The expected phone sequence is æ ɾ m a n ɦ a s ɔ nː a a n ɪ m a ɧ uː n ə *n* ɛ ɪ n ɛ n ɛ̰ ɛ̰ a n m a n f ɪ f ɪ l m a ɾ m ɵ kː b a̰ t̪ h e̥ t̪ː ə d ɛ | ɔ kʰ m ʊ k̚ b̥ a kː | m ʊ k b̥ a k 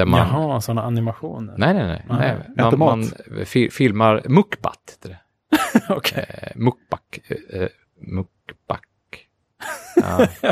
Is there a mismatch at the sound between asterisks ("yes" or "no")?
no